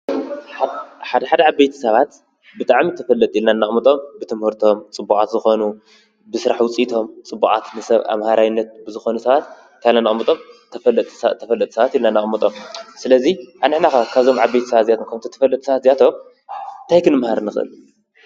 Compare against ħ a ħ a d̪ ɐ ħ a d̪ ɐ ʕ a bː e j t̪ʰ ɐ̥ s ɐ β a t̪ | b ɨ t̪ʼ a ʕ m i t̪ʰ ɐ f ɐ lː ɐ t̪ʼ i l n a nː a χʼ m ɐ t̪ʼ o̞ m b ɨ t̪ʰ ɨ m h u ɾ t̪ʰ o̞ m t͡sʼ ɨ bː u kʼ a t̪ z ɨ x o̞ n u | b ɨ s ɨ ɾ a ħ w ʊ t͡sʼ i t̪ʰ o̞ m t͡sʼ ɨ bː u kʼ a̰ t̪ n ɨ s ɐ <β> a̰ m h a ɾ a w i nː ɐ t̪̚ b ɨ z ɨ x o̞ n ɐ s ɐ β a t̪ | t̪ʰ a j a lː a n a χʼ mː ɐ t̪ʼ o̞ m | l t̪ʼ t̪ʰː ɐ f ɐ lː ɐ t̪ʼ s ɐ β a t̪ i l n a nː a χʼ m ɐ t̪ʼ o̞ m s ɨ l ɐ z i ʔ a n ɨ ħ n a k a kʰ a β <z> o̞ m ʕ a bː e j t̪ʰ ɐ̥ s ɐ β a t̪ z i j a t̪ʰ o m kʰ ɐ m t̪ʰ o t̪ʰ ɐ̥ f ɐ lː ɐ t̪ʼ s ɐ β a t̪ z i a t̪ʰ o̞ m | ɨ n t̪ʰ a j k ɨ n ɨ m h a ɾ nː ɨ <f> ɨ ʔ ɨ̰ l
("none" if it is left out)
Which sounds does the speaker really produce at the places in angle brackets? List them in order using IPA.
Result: β, z, x

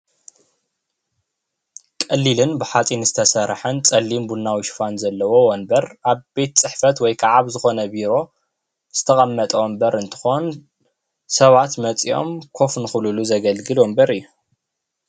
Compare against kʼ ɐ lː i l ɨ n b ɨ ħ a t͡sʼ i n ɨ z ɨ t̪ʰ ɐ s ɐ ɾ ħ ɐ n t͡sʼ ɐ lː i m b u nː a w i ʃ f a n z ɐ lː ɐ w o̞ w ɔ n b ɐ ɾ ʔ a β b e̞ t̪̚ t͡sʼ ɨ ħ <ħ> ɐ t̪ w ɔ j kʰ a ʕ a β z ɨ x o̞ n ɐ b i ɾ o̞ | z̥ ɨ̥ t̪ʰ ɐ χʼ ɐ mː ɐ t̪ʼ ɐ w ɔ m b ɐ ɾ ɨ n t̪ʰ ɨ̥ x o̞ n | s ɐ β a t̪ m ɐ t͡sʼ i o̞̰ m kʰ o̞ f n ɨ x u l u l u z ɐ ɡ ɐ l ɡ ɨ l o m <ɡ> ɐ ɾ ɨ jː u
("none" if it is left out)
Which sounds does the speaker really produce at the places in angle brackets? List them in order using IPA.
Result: f, b

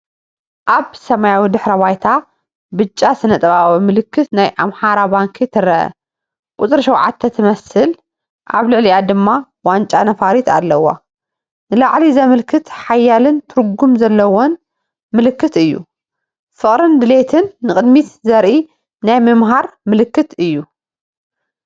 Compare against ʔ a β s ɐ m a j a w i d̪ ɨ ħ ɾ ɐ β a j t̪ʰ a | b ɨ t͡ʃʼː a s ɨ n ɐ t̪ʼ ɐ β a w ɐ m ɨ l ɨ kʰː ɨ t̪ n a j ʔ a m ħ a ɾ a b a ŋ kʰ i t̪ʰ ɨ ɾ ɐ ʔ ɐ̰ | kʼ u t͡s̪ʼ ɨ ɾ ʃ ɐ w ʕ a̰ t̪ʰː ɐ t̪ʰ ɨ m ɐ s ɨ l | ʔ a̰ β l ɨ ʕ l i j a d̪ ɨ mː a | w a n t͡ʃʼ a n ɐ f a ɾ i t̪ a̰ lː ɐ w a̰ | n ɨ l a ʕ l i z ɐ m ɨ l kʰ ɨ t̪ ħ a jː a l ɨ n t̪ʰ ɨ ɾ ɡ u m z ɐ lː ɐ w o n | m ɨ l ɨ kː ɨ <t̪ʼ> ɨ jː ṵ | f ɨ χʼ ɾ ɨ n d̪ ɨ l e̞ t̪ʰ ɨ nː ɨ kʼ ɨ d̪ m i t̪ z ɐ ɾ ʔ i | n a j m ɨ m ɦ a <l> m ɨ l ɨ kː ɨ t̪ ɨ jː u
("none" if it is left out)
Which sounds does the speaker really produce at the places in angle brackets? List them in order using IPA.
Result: t̪, ɾ

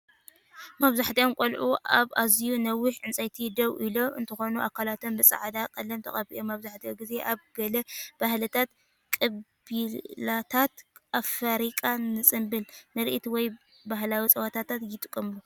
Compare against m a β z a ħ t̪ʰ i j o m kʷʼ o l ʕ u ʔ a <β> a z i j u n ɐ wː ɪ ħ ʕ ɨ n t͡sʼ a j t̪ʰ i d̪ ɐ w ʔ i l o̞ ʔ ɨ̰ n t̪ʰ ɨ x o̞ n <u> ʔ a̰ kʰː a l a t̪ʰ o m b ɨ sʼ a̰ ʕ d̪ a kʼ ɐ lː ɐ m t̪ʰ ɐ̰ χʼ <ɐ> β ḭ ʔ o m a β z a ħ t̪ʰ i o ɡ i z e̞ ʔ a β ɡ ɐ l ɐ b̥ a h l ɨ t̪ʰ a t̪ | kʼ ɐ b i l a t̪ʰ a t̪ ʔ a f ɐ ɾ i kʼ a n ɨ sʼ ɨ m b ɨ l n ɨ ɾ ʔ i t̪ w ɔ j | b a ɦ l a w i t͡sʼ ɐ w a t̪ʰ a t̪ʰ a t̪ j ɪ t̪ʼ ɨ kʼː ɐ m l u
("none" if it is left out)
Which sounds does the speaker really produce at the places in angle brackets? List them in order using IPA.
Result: β, u, ɐ

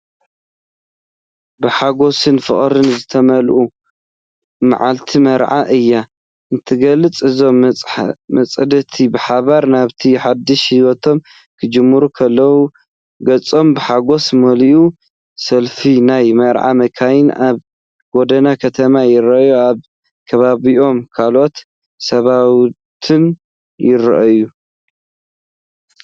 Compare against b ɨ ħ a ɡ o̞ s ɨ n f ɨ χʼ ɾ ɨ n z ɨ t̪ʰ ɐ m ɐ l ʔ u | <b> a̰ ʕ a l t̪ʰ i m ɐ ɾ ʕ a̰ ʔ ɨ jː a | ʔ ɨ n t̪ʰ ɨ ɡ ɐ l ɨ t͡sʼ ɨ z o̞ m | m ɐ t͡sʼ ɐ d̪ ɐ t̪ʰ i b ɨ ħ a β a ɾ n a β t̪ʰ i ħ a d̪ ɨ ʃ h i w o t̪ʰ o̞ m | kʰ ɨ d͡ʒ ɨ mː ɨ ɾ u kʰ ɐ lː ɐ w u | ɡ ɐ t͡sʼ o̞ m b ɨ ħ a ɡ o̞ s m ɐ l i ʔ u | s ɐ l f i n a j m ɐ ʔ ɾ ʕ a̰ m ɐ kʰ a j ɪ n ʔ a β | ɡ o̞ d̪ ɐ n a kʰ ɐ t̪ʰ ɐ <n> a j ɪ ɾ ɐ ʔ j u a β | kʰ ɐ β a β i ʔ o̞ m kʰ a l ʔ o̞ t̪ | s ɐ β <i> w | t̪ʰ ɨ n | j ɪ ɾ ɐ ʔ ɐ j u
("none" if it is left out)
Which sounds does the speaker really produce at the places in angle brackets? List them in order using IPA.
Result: m, m, a

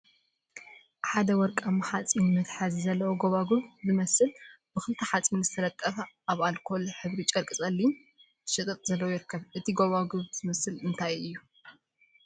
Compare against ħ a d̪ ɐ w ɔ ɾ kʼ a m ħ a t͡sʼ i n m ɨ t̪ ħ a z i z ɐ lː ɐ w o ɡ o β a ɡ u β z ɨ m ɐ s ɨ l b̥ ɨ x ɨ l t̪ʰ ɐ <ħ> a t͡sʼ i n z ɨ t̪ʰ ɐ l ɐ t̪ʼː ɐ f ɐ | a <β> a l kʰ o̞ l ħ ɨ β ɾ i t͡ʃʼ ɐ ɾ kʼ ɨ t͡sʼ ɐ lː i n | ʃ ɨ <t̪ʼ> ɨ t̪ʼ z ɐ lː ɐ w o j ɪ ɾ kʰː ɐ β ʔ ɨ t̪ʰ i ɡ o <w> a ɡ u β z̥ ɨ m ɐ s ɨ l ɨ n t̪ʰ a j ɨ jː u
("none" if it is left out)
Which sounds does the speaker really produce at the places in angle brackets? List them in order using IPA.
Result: ħ, β, t̪ʼ, β

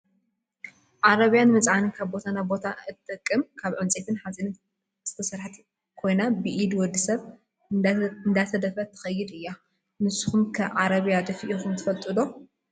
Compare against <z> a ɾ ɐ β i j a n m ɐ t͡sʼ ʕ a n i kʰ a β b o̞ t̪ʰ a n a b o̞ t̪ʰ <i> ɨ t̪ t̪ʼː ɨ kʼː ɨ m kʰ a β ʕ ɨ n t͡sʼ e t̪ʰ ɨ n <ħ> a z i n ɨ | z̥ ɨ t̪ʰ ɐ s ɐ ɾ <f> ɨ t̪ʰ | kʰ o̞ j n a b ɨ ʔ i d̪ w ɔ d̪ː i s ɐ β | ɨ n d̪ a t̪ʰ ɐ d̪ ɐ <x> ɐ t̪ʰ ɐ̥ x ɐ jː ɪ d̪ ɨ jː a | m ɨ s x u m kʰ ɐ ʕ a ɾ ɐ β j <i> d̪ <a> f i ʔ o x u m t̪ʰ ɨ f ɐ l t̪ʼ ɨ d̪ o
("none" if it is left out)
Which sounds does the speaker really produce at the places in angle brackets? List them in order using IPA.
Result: ʕ, a, ħ, ħ, f, a, ɐ

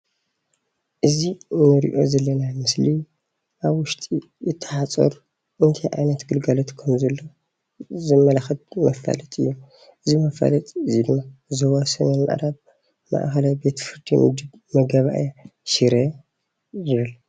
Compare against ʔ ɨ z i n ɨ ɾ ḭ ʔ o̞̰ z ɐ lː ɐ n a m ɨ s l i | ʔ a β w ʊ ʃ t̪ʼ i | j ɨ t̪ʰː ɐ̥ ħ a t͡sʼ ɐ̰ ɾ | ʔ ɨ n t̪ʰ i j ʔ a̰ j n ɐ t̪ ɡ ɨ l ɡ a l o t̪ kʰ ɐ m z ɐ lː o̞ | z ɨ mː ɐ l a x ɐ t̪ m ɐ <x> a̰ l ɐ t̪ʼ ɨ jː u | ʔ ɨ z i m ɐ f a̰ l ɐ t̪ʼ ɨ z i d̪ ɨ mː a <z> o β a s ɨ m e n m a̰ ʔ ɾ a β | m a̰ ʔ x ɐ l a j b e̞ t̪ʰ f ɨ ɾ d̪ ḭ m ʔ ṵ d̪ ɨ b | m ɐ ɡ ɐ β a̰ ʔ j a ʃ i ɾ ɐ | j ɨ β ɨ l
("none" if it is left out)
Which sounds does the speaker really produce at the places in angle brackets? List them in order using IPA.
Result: f, z

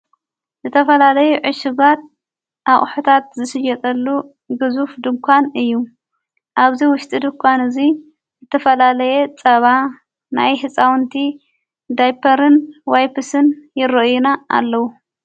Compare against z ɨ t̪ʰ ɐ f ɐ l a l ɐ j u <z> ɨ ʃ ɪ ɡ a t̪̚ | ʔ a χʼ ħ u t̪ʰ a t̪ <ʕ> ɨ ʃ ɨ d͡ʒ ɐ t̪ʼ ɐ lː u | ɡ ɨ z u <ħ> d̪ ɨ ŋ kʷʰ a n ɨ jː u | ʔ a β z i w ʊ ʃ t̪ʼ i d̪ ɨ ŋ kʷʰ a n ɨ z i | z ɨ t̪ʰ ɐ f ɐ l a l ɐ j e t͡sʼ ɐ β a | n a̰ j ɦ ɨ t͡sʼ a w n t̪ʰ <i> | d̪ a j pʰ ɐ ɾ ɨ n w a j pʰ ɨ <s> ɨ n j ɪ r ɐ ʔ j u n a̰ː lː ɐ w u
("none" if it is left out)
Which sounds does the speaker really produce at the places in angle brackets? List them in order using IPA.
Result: ʕ, z, f, i, s

